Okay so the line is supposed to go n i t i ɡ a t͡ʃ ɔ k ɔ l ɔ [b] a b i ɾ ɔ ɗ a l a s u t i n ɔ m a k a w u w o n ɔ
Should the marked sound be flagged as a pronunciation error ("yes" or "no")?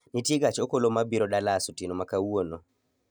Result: yes